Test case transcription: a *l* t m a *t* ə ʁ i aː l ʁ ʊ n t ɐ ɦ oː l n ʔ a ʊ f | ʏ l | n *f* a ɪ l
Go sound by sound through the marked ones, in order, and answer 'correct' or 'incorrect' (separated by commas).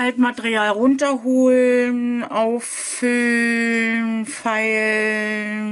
correct, correct, correct